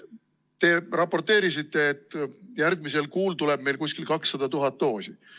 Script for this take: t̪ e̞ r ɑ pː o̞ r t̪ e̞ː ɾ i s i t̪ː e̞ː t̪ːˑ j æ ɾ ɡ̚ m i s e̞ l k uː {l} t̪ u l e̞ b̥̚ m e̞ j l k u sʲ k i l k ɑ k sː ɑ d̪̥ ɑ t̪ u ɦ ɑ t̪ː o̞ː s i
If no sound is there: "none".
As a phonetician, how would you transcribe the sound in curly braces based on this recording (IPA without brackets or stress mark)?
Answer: l